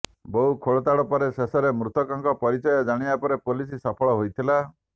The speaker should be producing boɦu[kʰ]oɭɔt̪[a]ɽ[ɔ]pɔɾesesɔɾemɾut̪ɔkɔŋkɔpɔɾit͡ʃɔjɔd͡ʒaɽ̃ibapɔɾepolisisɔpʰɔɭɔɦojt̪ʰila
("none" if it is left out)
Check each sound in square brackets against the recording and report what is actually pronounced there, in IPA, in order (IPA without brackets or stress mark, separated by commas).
kʰ, a, ɔ